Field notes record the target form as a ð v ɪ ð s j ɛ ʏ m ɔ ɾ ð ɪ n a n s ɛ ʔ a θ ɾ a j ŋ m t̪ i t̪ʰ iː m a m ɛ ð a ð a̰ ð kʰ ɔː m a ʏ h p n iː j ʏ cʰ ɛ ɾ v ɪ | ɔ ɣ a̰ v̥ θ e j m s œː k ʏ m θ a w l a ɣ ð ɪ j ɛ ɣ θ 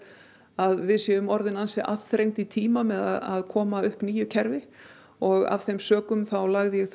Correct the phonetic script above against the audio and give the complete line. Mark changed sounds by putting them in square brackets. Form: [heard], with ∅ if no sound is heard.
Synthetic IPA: a ð v ɪ ð s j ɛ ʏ m ɔ ɾ ð ɪ n a n s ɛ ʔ a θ ɾ [e] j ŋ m t̪ i t̪ʰ iː m a m ɛ ð a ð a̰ ð kʰ ɔː m a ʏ h p n iː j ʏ cʰ ɛ ɾ v ɪ | ɔ ɣ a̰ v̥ θ e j m s œː k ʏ m θ a w l a ɣ ð ɪ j ɛ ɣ θ